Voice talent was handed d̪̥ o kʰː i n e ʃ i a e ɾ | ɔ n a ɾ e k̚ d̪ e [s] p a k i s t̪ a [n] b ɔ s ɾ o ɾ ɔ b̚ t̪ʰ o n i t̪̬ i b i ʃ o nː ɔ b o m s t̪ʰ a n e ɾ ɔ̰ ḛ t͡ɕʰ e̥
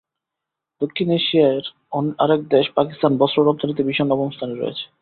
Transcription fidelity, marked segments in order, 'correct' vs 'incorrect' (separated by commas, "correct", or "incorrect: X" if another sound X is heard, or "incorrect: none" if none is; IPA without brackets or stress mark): incorrect: ʃ, correct